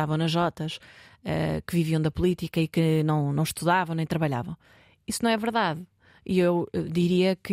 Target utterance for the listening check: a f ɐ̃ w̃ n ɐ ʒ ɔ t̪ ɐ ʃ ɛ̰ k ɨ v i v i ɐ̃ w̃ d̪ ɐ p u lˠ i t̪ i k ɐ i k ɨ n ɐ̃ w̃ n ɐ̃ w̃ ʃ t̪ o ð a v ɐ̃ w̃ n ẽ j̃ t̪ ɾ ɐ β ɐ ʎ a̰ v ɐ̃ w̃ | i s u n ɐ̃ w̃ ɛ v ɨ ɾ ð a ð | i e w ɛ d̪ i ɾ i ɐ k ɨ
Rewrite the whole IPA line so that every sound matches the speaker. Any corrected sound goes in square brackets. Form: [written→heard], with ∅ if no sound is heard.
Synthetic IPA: a [f→v] ɐ̃ w̃ n ɐ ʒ ɔ t̪ ɐ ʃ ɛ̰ k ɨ v i v i ɐ̃ w̃ d̪ ɐ p u lˠ i t̪ i k ɐ i k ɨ n ɐ̃ w̃ n ɐ̃ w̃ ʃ t̪ [o→u] ð a v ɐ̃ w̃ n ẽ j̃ t̪ ɾ ɐ β ɐ ʎ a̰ v ɐ̃ w̃ | i s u n ɐ̃ w̃ ɛ v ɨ ɾ ð a ð | i e w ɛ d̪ i ɾ i ɐ k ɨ